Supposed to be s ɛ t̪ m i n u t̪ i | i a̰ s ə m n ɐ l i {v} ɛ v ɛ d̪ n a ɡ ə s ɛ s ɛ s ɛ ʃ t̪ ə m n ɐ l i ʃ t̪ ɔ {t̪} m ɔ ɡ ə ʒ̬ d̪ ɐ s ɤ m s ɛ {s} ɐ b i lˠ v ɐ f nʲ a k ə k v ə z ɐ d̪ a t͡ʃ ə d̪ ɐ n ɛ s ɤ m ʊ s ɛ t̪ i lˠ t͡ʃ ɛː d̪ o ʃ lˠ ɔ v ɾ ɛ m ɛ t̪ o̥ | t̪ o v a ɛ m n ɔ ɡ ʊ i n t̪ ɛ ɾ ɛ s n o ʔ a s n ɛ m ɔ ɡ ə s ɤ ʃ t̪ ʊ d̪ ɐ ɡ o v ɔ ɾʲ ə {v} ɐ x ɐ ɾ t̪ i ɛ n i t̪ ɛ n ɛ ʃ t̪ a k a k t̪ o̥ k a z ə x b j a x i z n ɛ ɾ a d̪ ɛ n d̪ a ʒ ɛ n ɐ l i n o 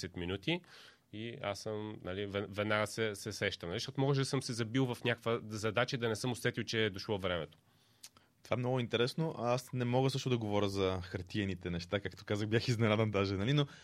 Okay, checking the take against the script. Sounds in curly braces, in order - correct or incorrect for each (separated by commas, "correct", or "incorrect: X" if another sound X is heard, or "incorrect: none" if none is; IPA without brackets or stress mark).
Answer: correct, correct, incorrect: z, incorrect: z